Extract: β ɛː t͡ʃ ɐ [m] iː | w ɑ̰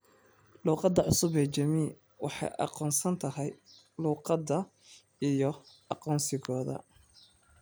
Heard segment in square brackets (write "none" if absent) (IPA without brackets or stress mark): m